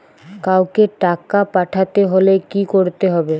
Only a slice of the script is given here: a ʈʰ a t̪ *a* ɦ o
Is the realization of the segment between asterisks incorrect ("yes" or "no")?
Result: yes